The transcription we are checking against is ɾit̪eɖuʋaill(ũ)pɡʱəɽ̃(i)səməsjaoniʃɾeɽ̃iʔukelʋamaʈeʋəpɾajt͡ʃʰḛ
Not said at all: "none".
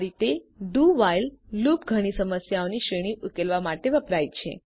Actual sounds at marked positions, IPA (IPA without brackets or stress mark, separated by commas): u, i